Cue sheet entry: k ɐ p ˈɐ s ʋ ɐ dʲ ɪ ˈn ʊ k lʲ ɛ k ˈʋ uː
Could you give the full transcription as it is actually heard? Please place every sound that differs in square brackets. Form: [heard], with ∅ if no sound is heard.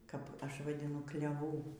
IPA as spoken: k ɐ p ˈɐ [ʃ] ʋ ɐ dʲ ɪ ˈn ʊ k lʲ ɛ [∅] ˈʋ uː